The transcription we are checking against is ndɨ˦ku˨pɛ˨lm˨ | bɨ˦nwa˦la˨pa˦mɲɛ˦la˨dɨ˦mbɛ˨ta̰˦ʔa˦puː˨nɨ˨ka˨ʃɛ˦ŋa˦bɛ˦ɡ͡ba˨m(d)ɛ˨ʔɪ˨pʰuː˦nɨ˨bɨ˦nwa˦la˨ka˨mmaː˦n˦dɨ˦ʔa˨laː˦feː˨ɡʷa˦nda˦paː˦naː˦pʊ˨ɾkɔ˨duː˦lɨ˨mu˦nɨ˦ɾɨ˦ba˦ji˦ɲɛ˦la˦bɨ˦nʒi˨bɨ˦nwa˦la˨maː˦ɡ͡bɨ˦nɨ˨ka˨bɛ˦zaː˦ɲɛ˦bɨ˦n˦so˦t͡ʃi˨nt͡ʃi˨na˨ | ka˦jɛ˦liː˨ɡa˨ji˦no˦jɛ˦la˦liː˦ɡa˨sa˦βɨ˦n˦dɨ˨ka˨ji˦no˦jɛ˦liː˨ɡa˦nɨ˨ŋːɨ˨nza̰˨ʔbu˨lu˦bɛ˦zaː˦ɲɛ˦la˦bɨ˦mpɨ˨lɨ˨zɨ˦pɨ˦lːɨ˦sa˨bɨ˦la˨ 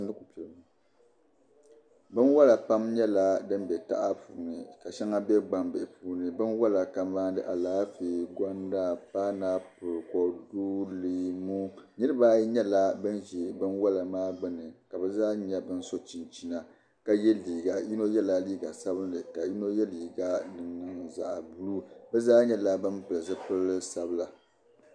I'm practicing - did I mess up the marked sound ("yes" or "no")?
yes